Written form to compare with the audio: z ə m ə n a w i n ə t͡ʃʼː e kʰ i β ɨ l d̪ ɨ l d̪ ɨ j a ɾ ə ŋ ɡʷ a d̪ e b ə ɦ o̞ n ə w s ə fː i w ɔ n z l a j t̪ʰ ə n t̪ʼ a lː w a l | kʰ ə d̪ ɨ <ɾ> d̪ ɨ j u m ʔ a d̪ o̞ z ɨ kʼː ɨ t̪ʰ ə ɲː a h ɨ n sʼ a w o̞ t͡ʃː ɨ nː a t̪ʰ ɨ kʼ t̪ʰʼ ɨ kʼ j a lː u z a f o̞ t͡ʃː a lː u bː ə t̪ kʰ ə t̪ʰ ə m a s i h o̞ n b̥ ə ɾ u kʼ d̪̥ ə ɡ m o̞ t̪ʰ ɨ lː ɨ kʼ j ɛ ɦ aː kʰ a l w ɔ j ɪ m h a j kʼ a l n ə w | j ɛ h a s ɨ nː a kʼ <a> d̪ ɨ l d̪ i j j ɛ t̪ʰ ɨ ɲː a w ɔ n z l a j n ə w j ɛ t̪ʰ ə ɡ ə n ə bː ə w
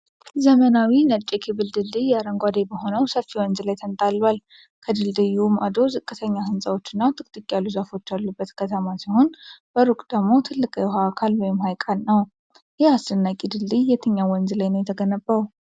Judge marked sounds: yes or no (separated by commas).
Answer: no, no